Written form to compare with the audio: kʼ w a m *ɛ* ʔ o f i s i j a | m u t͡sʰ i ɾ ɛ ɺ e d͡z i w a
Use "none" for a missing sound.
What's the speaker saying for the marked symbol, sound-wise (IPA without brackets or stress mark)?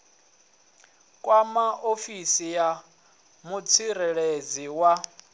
a